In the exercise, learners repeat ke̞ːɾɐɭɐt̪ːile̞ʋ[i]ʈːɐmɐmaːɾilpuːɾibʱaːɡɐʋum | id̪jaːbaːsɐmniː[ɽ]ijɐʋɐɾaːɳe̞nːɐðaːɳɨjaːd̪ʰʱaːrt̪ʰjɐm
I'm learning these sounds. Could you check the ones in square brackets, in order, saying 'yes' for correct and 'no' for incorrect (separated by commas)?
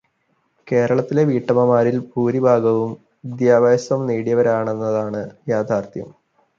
no, yes